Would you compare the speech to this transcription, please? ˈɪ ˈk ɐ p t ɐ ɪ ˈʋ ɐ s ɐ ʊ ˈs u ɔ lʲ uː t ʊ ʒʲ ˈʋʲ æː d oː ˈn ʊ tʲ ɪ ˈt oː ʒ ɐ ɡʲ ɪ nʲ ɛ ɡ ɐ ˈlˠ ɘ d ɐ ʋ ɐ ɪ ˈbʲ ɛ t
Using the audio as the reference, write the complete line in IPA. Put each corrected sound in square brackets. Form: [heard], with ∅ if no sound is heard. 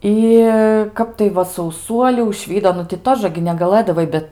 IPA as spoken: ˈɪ ˈk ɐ p t ɐ ɪ ˈʋ ɐ s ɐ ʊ ˈs u ɔ lʲ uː [∅] ʊ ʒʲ ˈʋʲ [iː] d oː ˈn ʊ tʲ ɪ ˈt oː ʒ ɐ ɡʲ ɪ nʲ ɛ ɡ ɐ ˈlˠ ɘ d ɐ ʋ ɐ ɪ ˈbʲ ɛ t